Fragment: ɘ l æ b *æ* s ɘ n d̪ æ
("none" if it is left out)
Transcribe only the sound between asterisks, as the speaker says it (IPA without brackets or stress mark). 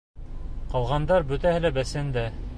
æ